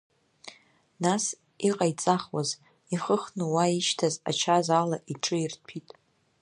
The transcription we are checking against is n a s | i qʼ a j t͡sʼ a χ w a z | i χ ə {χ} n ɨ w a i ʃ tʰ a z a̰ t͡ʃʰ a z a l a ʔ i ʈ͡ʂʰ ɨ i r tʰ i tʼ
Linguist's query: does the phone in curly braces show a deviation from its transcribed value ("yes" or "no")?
no